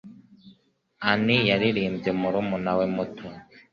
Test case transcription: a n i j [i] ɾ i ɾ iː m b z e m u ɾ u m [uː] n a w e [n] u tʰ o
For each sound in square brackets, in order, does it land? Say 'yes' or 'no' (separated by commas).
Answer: no, no, no